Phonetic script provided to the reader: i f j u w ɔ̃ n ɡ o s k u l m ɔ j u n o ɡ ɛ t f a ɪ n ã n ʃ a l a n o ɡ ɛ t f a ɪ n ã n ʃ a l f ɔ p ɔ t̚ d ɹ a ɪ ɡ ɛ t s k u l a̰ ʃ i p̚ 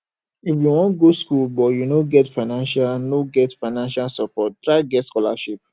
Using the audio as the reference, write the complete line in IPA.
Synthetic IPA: i f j u w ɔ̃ n ɡ o s k u l b ɔ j u n o ɡ ɛ t f a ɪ n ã n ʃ a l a n o ɡ ɛ t f a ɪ n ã n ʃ a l s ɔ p ɔ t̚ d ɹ a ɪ ɡ ɛ t s k ɔ l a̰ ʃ i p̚